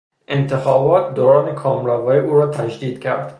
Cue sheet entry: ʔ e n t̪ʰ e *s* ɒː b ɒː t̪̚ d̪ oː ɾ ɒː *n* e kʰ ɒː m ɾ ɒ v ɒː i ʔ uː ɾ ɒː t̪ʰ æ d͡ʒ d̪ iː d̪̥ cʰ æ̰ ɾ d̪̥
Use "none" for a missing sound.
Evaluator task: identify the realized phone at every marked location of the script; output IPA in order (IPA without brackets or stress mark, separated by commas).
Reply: x, n